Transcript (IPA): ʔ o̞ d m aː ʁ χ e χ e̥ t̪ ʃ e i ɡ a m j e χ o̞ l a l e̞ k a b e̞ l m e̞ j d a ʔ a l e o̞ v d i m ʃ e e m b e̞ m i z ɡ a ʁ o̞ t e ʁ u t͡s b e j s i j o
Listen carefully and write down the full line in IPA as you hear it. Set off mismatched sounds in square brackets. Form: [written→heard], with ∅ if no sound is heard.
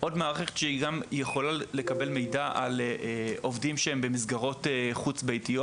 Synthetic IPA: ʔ o̞ d m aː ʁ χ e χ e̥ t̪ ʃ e i ɡ a m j e χ o̞ l a l e̞ k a b e̞ l m e̞ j d a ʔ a l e o̞ v d i m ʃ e e m b e̞ m i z ɡ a ʁ o̞ t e [ʁ→χ] u t͡s b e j [s→t] i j o

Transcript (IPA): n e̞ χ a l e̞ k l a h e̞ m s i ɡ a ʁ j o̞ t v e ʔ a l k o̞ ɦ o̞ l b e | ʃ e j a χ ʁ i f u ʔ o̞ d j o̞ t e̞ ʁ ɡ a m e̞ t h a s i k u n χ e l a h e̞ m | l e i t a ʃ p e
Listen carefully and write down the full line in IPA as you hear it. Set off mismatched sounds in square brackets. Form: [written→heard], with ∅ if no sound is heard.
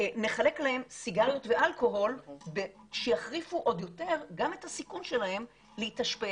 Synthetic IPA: n e̞ χ a l e̞ k l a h e̞ m s i ɡ a ʁ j o̞ t v e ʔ a l k o̞ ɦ o̞ l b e | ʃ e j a χ ʁ i f u ʔ o̞ d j o̞ t e̞ ʁ ɡ a m e̞ t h a s i k u n [χ→ʃ] e l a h e̞ m | l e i t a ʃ p e

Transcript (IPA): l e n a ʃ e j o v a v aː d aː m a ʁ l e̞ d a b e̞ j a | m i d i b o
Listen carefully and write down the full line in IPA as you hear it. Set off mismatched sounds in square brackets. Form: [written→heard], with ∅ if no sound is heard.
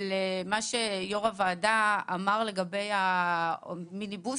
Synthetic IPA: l e [n→m] a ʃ e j o [v→ʁ] a v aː d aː m a ʁ l e̞ [d→ɡ] a b e̞ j a | m i [d→n] i b [o→u]

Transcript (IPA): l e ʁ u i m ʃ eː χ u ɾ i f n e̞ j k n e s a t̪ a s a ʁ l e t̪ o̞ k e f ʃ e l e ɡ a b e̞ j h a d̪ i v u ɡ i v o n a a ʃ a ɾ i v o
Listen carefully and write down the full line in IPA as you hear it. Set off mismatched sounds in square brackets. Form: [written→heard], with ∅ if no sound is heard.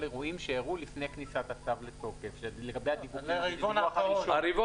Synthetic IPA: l e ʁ u i m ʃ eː [χ→ʁ] u [ɾ→l] i f n e̞ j k n [e→i] s a t̪ a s a [ʁ→v] l e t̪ o̞ k e f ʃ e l e ɡ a b e̞ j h a d̪ i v u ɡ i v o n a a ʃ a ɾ i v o

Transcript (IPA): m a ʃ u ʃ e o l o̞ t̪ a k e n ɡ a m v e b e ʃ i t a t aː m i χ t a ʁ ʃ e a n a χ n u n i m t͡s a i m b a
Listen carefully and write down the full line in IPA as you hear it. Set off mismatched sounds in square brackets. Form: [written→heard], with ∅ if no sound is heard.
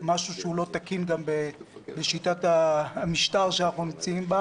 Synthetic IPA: m a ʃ u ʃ e [o→u] l o̞ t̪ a k [e→i] n ɡ a m [v→b] e b e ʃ i t a t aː m i [χ→ʃ] t a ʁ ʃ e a n a χ n u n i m t͡s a i m b a

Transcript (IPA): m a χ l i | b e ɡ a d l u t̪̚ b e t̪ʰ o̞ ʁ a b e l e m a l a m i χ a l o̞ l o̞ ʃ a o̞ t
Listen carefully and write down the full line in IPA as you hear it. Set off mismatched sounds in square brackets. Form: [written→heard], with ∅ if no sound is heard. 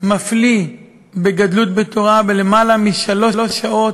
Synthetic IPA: m a [χ→f] l i | b e ɡ a d l u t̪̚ b e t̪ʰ o̞ ʁ a b e l e m a l a m i [χ→ʃ] a l o̞ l o̞ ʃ a o̞ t

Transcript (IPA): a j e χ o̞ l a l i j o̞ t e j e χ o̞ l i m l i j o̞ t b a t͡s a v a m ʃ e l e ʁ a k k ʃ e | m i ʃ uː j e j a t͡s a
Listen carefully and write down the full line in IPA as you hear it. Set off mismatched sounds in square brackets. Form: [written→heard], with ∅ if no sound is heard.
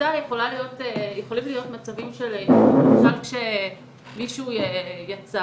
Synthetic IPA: a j e χ o̞ l a l i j o̞ t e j e χ o̞ l i m l i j o̞ t [b→m] a t͡s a v [a→i] m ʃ e l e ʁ a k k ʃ e | m i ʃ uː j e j a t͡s a

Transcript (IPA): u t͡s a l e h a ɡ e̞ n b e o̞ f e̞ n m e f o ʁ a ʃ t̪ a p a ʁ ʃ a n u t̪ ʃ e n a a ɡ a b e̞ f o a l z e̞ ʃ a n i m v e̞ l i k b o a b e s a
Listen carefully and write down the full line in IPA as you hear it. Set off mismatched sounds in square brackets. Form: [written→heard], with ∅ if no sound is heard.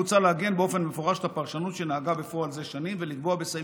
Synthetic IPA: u t͡s a l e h a ɡ e̞ n b e o̞ f e̞ n m e f o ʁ a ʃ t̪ a p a ʁ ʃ a n u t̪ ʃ e n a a ɡ a b e̞ f o a l z e̞ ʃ a n i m v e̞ l i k b o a b e s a

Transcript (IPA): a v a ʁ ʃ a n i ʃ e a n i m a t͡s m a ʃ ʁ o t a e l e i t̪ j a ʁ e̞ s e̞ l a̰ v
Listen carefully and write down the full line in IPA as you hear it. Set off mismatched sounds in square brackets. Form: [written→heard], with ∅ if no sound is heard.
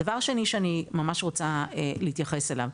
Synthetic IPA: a v a ʁ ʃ [a→e] n i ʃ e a n i m a [t͡s→∅] m a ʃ ʁ o [t→t͡s] a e l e i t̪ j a [ʁ→χ] e̞ s e̞ l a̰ v

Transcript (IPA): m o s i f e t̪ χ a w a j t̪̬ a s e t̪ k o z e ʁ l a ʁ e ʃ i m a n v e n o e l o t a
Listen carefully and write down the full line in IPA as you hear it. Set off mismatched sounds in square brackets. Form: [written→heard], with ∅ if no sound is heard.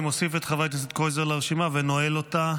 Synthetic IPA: m o s i f e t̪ χ a [w→v] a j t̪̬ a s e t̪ k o z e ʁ l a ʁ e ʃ i m a [n→∅] v e n o e l o t a

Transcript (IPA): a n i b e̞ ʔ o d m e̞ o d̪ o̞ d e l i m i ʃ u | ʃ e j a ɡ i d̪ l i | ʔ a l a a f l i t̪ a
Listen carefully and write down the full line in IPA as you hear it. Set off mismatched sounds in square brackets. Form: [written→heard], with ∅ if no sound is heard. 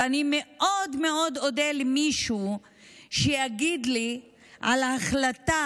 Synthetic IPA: a n i [b→m] e̞ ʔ o d m e̞ o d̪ o̞ d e l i m i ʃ u | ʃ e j a ɡ i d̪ l i | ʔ a l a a [f→χ] l [i→a] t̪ a

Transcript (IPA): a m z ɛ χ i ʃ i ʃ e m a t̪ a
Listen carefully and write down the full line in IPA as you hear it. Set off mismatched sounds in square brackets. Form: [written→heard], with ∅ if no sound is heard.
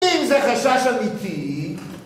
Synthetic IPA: [a→i] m z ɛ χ [i→a] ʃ [i→a] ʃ [e→a] m [a→i] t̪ [a→i]

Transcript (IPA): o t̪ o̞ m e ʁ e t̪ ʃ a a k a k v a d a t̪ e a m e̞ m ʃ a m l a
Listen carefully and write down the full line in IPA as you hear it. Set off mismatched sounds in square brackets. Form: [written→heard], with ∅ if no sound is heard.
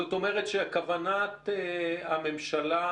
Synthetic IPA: o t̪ o̞ m e ʁ e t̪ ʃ [a→e] a k a [k→∅] v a [d→n] a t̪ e a m e̞ m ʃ a [m→∅] l a

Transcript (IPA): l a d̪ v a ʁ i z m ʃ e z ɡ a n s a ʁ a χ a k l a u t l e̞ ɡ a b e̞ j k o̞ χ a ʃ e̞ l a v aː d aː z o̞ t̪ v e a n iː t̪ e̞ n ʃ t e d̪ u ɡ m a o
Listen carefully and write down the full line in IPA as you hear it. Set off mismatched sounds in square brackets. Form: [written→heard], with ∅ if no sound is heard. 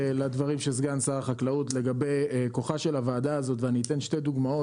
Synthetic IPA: l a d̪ v a ʁ i [z→∅] m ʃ e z ɡ a n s a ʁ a χ a k l a u t l e̞ ɡ a b e̞ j k o̞ χ a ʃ e̞ l a v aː d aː z o̞ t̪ v e a n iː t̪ e̞ n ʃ t e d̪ u ɡ m a o

